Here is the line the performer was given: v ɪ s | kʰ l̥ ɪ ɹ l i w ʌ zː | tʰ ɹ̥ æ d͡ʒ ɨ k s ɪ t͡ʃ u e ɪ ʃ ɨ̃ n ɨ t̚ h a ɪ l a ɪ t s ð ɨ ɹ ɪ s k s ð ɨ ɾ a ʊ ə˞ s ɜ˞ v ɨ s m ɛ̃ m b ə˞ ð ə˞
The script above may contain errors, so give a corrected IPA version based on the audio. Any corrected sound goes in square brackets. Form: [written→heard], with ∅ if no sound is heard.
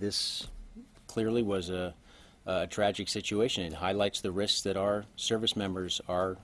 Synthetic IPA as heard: [v→ð] ɪ s | kʰ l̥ ɪ ɹ l i w ʌ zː | tʰ ɹ̥ æ d͡ʒ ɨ k s ɪ t͡ʃ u e ɪ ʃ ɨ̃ n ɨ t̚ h a ɪ l a ɪ t s ð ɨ ɹ ɪ s k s ð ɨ ɾ a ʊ ə˞ s ɜ˞ v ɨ s m ɛ̃ m b ə˞ [ð→z] ə˞

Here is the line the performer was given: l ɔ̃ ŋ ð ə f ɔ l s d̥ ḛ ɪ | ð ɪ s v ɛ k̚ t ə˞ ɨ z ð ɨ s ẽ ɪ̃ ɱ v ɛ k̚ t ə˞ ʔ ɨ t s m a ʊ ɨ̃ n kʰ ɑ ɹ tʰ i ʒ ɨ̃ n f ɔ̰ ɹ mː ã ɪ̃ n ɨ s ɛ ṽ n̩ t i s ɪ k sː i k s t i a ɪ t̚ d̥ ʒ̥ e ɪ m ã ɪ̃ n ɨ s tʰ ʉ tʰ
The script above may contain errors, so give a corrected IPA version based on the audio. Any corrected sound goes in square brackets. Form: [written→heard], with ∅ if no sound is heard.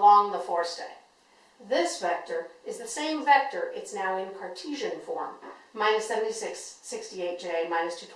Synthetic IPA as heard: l ɔ̃ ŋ ð ə f ɔ [l→ɹ] s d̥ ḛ ɪ | ð ɪ s v ɛ k̚ t ə˞ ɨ z ð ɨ s ẽ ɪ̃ ɱ v ɛ k̚ t ə˞ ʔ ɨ t s [m→n] a ʊ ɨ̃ n kʰ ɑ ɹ tʰ i ʒ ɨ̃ n f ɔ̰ ɹ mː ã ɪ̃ n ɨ s ɛ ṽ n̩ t i s ɪ k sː [i→ɪ] k s t i [a→e] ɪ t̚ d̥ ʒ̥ e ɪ m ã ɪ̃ n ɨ s tʰ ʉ tʰ

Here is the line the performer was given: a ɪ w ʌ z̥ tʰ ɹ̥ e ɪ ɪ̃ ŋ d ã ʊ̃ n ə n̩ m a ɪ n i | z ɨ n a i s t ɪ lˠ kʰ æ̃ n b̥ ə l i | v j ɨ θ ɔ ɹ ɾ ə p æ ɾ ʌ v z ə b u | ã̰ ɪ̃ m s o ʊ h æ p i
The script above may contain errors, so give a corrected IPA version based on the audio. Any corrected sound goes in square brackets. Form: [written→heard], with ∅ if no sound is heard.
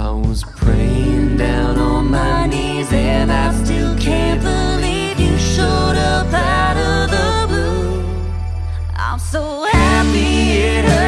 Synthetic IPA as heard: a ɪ w ʌ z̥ [tʰ→pʰ] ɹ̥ e ɪ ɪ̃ ŋ d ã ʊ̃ n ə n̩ m a ɪ n i | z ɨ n a [i→ɪ] s t ɪ lˠ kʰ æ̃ n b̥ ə l i | v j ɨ [θ→ʃ] ɔ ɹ ɾ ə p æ ɾ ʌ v [z→ð] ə b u | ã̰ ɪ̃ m s o ʊ h æ p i

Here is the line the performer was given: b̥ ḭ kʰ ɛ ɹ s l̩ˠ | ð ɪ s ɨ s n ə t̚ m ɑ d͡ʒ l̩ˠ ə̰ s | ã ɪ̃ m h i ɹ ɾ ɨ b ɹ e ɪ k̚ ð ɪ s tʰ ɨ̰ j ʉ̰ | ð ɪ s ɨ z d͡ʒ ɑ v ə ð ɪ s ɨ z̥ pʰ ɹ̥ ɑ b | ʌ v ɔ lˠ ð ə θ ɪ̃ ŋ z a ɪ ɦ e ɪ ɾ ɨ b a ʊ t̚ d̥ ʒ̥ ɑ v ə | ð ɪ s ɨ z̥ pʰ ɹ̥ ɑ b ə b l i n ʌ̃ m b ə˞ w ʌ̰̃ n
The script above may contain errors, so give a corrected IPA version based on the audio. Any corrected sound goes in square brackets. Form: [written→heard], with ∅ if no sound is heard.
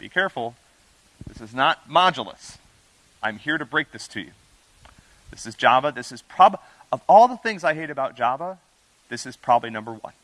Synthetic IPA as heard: b̥ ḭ kʰ ɛ ɹ [s→f] l̩ˠ | ð ɪ s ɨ [s→z] n ə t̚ m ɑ d͡ʒ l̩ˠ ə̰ s | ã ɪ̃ m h i ɹ ɾ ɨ b ɹ e ɪ k̚ ð ɪ s tʰ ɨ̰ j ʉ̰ | ð ɪ s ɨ z d͡ʒ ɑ v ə ð ɪ s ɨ z̥ pʰ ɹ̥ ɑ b | ʌ v ɔ lˠ ð ə θ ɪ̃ ŋ z a ɪ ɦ e ɪ ɾ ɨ b a ʊ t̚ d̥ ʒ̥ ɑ v ə | ð ɪ s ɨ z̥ pʰ ɹ̥ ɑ b ə b l i n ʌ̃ m b ə˞ w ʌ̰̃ n

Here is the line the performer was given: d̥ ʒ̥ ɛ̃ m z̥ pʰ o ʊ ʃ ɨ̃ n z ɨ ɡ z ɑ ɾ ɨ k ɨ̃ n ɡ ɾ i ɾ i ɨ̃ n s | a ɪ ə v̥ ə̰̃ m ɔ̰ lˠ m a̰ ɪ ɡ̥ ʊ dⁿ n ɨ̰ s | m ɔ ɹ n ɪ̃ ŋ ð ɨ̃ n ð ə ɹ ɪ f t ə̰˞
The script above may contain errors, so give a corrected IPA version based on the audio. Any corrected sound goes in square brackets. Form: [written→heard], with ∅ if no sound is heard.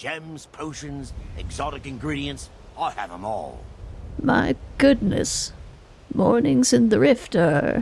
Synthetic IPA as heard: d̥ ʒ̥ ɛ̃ m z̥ pʰ o ʊ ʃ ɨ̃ n z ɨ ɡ z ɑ ɾ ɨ k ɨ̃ n ɡ [ɾ→ɹ] i ɾ i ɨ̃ n s | a ɪ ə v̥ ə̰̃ m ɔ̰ lˠ m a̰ ɪ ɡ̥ ʊ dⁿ n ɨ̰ s | m ɔ ɹ n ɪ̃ ŋ [ð→z] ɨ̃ n ð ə ɹ ɪ f t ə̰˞

